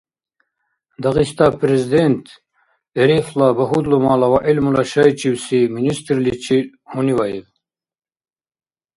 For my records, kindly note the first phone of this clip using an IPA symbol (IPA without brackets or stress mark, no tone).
d̪